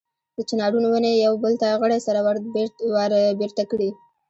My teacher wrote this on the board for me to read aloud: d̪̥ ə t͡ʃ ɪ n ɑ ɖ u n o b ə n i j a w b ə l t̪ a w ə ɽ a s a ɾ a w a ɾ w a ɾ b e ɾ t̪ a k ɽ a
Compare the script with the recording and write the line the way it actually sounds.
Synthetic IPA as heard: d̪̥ ə t͡ʃ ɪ n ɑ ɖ u n o w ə n e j a w b ə l t̪ a ɣ ə ɽ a s a ɾ a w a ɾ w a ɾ b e ɾ t̪ a k ɽ i